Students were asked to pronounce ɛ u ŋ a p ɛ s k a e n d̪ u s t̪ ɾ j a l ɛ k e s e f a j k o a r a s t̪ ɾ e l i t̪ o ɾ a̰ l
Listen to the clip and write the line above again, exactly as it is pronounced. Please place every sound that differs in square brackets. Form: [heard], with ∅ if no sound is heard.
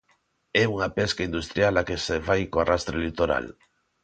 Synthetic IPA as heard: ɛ u ŋ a p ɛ s k a [i] n d̪ u s t̪ ɾ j a l [a] k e s e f a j k o a r a s t̪ ɾ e l i t̪ o ɾ a̰ l

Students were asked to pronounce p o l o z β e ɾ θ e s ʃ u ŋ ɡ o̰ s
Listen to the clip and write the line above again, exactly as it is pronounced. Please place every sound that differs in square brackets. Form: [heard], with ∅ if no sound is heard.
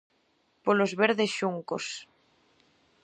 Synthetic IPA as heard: p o l o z β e ɾ [ð] e s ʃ u ŋ [k] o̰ s

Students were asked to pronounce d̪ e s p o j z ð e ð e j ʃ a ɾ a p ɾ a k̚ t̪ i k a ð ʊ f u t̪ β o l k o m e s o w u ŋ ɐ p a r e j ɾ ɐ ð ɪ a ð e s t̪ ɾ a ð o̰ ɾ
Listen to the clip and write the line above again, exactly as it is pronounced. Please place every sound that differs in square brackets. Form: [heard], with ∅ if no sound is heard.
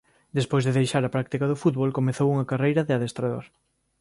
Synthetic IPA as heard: d̪ e s p o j z ð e ð e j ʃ a ɾ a p ɾ a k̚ t̪ i k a ð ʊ f u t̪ β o l k o m e [θ] o w u ŋ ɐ [k] a r e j ɾ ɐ ð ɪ a ð e s t̪ ɾ a ð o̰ ɾ

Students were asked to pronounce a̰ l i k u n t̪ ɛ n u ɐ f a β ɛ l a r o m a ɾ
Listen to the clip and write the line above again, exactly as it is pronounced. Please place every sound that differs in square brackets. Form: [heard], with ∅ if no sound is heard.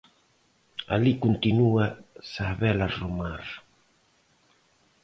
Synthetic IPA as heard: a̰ l i k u n t̪ [i] n u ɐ [s] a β ɛ l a r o m a ɾ

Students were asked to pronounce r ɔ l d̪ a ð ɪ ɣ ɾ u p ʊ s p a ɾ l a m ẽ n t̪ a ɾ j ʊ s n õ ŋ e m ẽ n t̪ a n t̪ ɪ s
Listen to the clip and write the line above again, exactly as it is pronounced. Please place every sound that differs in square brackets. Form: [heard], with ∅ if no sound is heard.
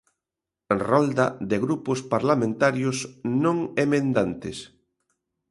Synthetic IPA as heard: r ɔ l d̪ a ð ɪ ɣ ɾ u p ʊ s p a ɾ l a m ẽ n t̪ a ɾ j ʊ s n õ ŋ e m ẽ n [d̪] a n t̪ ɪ s

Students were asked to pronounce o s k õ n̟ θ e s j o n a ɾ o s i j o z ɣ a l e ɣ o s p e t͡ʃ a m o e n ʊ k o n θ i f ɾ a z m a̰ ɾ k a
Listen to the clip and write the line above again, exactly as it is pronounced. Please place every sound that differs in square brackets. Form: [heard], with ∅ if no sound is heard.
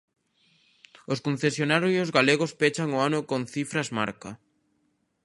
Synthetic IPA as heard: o s k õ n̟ θ e s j o n a ɾ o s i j o z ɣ a l e ɣ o s p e t͡ʃ a [ŋ] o [a] n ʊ k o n θ i f ɾ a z m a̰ ɾ k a

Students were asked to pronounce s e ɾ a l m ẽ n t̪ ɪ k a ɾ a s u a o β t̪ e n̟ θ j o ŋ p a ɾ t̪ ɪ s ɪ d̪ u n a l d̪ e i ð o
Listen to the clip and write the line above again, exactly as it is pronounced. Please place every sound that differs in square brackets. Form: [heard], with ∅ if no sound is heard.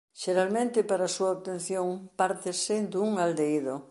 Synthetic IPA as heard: [ʃ] e ɾ a l m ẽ n t̪ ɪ [p] a ɾ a s u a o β t̪ e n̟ θ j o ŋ p a ɾ t̪ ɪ s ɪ d̪ u [ŋ] a l d̪ e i ð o

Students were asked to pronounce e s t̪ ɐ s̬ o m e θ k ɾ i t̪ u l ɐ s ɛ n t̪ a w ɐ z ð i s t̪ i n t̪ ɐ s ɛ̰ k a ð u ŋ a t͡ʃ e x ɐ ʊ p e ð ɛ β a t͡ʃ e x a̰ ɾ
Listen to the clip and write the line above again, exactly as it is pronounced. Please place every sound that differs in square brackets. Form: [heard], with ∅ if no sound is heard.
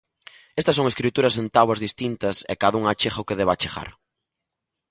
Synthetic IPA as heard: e s t̪ ɐ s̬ o [ŋ] e [s] k ɾ i t̪ u [ɾ] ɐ s [e] n t̪ a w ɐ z ð i s t̪ i n t̪ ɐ s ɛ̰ k a ð u ŋ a t͡ʃ e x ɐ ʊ [k] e ð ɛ β a t͡ʃ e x a̰ ɾ

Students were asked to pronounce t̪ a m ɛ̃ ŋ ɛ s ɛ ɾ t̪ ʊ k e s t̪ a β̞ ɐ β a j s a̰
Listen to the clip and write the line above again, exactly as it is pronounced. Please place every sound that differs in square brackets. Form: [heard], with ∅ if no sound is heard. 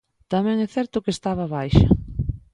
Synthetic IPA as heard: t̪ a m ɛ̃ ŋ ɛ [θ] ɛ ɾ t̪ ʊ k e s t̪ a β̞ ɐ β a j [ʃ] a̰

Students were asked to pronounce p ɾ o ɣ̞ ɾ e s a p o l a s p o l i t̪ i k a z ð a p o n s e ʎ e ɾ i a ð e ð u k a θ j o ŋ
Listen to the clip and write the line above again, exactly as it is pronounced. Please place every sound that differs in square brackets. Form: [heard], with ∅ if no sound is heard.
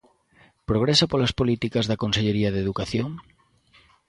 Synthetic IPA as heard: p ɾ o ɣ̞ ɾ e s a p o l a s p o l i t̪ i k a z ð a [k] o n s e ʎ e ɾ i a ð e ð u k a θ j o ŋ

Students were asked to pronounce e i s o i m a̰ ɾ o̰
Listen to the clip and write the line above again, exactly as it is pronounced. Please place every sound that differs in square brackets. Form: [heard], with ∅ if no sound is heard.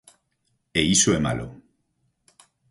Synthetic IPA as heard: e i s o [e] m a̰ [l] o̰

